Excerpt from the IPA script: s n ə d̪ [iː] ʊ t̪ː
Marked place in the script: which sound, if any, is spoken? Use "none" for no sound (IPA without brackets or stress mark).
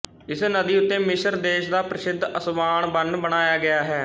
iː